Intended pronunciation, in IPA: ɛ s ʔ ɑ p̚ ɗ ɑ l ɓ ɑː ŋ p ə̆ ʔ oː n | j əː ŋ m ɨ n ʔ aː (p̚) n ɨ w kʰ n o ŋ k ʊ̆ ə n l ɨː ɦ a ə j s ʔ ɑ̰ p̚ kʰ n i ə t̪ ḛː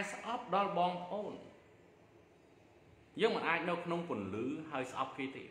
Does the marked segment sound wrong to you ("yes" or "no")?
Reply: yes